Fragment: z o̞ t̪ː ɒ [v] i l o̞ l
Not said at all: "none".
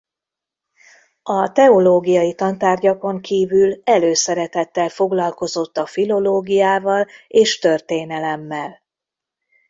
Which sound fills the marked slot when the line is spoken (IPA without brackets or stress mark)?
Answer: f